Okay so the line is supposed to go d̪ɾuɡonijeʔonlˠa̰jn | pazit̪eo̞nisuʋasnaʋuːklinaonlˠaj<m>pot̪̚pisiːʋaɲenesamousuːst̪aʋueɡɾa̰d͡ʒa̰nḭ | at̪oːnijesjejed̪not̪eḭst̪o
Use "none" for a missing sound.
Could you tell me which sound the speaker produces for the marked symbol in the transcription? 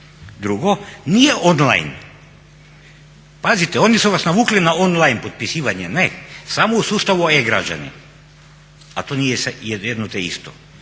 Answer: n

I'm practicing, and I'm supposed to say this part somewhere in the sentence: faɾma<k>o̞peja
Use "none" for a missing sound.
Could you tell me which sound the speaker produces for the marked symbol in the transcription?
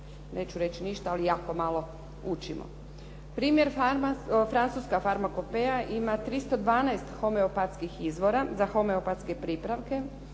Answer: k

